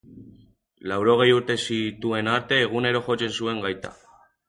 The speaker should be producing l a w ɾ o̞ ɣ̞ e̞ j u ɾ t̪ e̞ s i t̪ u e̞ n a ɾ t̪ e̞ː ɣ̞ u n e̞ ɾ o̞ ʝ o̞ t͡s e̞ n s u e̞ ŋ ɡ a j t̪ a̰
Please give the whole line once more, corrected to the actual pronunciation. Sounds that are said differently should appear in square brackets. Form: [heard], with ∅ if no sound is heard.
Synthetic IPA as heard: l a w ɾ o̞ ɣ̞ e̞ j u ɾ t̪ e̞ s i t̪ u e̞ n a ɾ t̪ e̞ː ɣ̞ u n e̞ ɾ o̞ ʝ o̞ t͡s e̞ n s u e̞ ŋ ɡ a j t̪ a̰